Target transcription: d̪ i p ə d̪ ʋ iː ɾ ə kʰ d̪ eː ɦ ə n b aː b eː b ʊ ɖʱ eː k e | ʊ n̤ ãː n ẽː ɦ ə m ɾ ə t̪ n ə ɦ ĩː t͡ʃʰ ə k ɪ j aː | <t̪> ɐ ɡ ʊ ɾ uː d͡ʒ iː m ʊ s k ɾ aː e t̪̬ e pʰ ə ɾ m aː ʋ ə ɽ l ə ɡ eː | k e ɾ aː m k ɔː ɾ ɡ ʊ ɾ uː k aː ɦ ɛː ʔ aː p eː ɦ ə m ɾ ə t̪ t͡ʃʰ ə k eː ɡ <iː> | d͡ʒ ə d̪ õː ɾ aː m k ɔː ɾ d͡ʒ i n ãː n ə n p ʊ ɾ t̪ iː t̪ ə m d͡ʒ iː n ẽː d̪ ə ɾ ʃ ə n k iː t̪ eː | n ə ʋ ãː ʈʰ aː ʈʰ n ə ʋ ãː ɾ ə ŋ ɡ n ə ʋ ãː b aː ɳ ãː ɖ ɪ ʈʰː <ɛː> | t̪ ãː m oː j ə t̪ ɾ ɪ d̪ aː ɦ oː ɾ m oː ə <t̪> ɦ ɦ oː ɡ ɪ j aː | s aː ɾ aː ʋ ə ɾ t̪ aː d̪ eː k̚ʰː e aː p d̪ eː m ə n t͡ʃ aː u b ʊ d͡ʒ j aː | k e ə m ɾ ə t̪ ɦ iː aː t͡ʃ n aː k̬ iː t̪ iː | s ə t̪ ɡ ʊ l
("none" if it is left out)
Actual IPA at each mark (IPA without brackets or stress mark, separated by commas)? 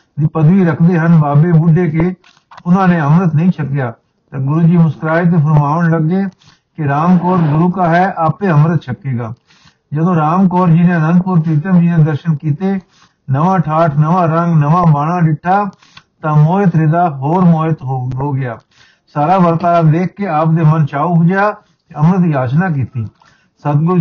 t̪, aː, aː, t̪